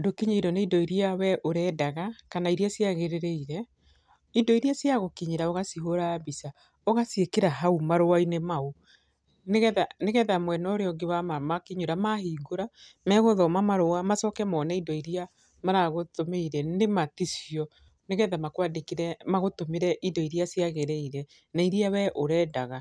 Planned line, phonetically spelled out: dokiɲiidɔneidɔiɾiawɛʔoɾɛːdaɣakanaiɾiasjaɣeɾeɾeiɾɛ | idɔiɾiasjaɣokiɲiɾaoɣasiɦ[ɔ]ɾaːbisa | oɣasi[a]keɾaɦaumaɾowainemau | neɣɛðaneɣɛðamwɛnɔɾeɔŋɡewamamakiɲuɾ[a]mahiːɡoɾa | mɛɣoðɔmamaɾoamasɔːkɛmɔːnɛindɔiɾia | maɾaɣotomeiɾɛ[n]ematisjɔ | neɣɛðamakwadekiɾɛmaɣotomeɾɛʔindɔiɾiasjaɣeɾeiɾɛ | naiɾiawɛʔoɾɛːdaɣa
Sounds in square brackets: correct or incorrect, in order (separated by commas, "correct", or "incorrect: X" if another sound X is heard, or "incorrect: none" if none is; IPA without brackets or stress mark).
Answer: incorrect: o, incorrect: e, correct, correct